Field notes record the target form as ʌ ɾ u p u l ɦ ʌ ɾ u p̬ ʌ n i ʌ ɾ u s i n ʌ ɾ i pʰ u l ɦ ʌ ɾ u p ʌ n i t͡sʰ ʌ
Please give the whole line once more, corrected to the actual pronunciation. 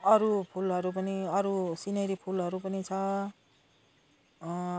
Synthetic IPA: ʌ ɾ u pʰ u l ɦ ʌ ɾ u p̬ ʌ n i ʌ ɾ u s i n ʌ ɾ i pʰ u l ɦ ʌ ɾ u p ʌ n i t͡sʰ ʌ